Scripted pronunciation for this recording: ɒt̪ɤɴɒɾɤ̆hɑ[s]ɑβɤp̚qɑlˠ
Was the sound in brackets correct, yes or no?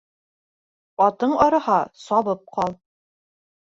yes